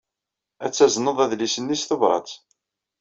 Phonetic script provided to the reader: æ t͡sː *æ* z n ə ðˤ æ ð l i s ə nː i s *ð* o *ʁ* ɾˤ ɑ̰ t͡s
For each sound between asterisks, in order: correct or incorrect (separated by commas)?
correct, incorrect, incorrect